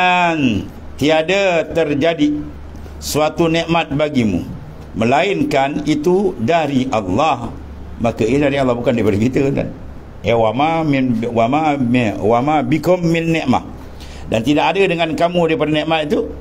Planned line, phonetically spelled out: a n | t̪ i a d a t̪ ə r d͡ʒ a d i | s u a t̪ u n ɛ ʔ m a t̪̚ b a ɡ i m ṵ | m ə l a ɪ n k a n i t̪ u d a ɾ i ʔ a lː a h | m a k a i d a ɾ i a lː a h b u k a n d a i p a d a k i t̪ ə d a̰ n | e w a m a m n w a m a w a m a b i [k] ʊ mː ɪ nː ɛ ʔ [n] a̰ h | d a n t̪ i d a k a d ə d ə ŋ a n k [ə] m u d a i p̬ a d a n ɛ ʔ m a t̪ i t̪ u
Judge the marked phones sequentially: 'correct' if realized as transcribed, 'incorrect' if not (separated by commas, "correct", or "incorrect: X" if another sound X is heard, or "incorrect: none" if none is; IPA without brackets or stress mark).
correct, incorrect: m, incorrect: a